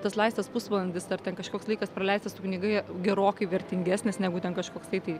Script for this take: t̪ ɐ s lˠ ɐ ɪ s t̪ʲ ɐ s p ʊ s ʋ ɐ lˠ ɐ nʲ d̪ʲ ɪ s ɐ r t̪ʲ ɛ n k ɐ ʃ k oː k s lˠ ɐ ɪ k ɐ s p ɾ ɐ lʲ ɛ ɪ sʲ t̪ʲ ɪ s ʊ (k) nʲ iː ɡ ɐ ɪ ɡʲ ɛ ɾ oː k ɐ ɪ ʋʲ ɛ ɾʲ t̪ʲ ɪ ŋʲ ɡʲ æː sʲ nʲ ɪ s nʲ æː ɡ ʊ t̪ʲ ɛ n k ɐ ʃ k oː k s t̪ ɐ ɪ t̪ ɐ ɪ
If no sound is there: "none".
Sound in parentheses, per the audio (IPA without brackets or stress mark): k